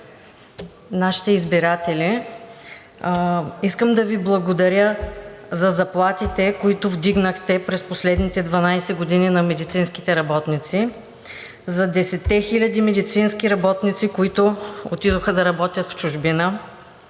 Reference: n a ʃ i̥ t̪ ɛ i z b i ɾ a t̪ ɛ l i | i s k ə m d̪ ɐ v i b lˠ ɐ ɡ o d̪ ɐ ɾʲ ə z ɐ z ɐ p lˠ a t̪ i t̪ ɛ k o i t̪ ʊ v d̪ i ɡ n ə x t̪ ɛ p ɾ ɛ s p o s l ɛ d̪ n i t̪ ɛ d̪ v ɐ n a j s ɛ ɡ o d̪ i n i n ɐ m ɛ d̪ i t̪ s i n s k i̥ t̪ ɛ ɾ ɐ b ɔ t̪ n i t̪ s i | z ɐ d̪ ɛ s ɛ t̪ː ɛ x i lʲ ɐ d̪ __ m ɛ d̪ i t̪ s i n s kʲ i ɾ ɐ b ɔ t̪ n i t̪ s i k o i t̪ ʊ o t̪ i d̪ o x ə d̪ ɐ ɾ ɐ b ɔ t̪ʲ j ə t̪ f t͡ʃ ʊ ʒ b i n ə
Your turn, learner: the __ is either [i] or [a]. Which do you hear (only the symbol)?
i